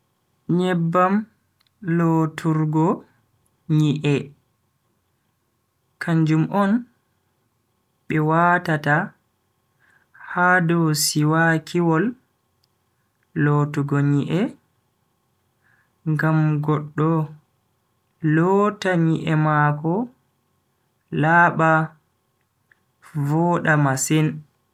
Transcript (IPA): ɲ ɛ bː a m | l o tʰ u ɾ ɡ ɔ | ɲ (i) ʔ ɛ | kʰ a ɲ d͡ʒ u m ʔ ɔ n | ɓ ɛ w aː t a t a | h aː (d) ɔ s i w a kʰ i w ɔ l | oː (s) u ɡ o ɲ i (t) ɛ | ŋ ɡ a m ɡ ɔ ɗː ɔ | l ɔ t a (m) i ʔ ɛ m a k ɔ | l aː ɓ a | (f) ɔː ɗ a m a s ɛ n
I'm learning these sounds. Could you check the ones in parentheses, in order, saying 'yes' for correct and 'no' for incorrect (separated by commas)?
yes, yes, no, no, no, no